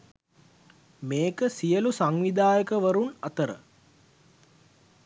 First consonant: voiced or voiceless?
voiced